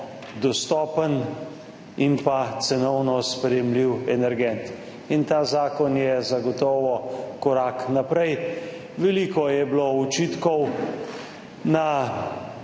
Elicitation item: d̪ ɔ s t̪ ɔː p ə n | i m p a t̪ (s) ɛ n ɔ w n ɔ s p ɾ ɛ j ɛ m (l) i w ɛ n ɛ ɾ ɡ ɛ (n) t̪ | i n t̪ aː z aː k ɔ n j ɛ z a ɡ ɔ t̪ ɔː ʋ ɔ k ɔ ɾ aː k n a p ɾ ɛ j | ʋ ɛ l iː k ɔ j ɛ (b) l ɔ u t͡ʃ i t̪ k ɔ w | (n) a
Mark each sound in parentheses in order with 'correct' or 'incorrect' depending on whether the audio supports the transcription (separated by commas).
correct, correct, correct, correct, correct